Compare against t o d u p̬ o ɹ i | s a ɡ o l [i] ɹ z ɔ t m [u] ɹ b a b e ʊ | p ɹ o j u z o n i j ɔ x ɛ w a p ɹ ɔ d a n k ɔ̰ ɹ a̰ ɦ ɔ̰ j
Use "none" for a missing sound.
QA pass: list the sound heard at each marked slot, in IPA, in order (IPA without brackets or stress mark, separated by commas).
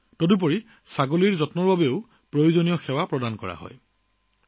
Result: i, ɔ